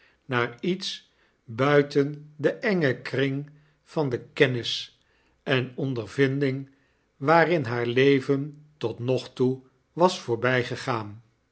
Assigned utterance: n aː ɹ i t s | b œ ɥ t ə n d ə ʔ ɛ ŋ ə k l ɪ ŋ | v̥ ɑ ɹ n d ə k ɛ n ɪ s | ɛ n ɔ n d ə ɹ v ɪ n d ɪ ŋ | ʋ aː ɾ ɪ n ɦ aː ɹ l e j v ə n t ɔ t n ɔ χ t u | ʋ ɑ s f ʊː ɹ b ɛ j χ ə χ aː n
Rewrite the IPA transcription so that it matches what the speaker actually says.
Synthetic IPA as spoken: n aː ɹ i t s | b œ ɥ t ə n d ə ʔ ɛ ŋ ə k r ɪ ŋ | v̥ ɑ n d ə k ɛ n ɪ s | ɛ n ɔ n d ə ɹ v ɪ n d ɪ ŋ | ʋ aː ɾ ɪ n ɦ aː ɹ l e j v ə n t ɔ t n ɔ χ t u | ʋ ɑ s f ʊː ɹ b ɛ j χ ə χ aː n